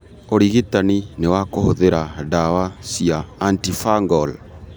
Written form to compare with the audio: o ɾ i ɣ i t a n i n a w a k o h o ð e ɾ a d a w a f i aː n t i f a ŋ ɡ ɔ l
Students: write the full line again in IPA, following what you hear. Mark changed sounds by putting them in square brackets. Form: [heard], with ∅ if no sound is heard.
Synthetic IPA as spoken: o ɾ i ɣ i t a n i n [e] w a k o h o ð e ɾ a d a w a [s] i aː n t i f a ŋ ɡ ɔ l